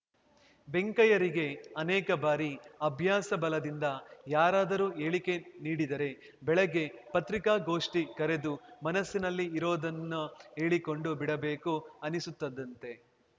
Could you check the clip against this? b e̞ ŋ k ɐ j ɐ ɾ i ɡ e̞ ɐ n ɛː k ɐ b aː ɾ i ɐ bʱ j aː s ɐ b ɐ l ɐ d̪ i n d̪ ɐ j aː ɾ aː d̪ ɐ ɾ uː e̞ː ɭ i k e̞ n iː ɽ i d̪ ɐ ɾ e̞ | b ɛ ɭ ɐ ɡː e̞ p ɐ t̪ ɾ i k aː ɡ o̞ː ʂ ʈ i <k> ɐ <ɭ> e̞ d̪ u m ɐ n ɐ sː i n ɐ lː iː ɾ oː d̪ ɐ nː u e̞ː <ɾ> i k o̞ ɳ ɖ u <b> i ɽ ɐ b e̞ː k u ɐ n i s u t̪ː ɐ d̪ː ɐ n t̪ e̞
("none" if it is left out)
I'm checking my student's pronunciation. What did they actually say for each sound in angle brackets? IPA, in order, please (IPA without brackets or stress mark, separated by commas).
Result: k, ɾ, ɭ, b